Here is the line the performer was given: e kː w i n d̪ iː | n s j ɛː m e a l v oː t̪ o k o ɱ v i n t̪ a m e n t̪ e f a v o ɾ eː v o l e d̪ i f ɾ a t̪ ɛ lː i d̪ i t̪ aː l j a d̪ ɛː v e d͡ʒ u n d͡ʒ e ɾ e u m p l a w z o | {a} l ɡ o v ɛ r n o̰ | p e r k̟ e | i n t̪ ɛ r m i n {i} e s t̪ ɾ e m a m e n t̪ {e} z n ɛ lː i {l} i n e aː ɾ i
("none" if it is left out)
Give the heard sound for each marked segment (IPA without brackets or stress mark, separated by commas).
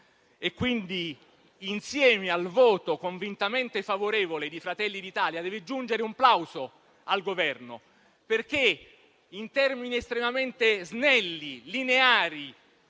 a, i, e, l